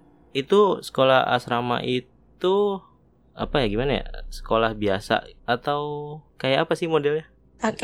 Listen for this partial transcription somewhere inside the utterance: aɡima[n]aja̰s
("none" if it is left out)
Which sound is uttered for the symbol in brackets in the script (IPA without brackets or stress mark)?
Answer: n